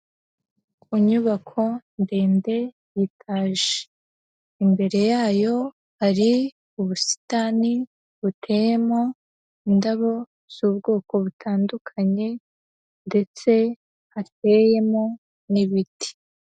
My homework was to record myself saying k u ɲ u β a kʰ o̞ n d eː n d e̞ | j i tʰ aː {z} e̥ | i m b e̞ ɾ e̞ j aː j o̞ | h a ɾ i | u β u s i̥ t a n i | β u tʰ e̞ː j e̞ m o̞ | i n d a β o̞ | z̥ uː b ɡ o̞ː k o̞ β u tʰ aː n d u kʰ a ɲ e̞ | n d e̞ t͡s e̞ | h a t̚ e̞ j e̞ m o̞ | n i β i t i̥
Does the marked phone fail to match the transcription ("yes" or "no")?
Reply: yes